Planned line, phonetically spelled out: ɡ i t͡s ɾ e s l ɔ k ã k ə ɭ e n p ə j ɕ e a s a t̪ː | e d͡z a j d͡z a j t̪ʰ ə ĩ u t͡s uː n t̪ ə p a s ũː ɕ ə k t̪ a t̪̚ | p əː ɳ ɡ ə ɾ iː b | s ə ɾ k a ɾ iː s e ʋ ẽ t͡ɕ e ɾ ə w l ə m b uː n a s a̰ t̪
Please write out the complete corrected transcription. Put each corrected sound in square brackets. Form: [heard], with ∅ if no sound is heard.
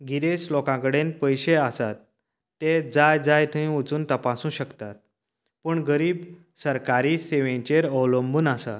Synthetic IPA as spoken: ɡ i [∅] ɾ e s l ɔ k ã k ə [ɽ] e n p ə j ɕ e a s a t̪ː | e d͡z a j d͡z a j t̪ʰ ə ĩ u t͡s uː n t̪ ə p a s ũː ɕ ə k t̪ a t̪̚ | p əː ɳ ɡ ə ɾ iː b | s ə ɾ k a ɾ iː s e ʋ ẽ t͡ɕ e ɾ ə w l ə m b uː n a s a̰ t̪